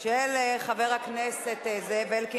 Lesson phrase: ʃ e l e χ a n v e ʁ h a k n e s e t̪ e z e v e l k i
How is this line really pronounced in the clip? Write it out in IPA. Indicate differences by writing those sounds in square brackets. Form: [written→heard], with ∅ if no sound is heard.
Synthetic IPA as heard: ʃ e l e χ a [n→∅] v e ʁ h a k n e s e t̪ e z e v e l k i